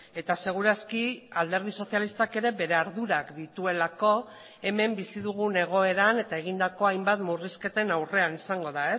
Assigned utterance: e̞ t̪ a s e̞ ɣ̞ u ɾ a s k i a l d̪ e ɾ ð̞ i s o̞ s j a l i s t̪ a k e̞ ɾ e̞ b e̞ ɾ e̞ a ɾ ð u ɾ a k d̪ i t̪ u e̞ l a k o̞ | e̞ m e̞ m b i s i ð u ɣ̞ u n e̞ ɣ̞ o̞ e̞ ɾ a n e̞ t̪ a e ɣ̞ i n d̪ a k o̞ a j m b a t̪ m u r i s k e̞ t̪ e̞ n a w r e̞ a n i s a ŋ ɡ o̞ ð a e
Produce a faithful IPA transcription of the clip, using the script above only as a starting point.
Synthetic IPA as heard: e̞ t̪ a s e̞ ɣ̞ u ɾ a s k i a l d̪ e ɾ ð̞ i s o̞ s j a l i s t̪ a k e̞ ɾ e̞ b e̞ ɾ e̞ a ɾ ð u ɾ a k d̪ i t̪ u e̞ l a k o̞ | e̞ m e̞ m b i s i ð u ɣ̞ u n e̞ ɣ̞ o̞ e̞ ɾ a n e̞ t̪ a e ɣ̞ i n d̪ a k o̞ a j m b a t̪ m u r i s k e̞ t̪ e̞ n a w r e̞ a n i s a ŋ ɡ o̞ ð a e